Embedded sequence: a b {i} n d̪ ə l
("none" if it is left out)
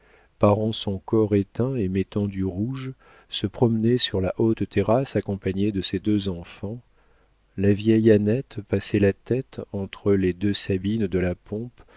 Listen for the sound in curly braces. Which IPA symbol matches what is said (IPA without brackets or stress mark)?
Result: i